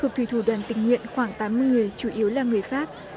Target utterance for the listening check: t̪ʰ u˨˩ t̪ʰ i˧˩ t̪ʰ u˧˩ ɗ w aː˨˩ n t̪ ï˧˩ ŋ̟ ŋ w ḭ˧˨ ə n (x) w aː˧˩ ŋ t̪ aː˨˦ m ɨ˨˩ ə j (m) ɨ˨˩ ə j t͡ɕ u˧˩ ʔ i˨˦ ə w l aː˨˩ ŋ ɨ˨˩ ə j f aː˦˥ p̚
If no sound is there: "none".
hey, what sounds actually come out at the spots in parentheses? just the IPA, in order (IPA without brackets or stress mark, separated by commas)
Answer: x, ŋ